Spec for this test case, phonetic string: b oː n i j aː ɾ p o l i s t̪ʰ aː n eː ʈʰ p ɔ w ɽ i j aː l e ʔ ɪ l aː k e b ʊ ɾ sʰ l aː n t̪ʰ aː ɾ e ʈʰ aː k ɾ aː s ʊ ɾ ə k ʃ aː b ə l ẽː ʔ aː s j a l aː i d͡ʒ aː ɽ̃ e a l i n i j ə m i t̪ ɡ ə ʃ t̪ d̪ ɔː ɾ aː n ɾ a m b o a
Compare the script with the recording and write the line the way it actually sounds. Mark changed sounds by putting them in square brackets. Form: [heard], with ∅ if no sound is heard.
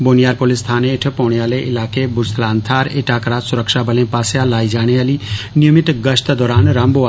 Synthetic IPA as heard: b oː n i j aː ɾ p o l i s t̪ʰ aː n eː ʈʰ p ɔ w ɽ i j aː l e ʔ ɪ l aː k e b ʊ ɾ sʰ l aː n t̪ʰ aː ɾ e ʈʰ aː k ɾ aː s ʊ ɾ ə k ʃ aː b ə l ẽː [p] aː s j a l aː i d͡ʒ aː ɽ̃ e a l i n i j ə m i t̪ ɡ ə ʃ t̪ d̪ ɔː ɾ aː n ɾ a m b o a